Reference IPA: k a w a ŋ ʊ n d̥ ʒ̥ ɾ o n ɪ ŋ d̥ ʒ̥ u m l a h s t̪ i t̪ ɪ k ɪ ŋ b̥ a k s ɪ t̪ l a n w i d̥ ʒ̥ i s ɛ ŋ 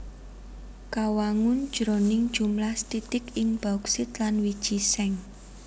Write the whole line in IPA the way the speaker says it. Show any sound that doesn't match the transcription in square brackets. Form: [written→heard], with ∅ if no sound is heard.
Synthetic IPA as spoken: k a w a ŋ ʊ n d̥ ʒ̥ ɾ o n ɪ ŋ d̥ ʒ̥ u m l a h s t̪ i t̪ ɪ k ɪ ŋ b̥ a k s ɪ t̪ l a n w i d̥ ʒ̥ i s ɛ ŋ